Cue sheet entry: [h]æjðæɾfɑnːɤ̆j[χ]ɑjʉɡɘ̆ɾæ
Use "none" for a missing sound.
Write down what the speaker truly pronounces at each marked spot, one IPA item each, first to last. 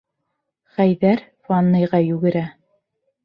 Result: χ, ʁ

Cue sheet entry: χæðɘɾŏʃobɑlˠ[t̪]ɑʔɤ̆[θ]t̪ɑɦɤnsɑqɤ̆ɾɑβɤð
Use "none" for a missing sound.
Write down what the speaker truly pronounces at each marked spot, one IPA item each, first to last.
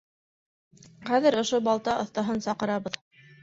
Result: t̪, θ

